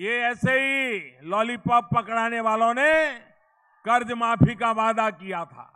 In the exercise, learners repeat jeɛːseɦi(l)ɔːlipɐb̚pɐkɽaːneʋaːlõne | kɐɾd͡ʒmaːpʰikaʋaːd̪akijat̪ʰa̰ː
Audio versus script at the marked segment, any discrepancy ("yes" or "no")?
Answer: no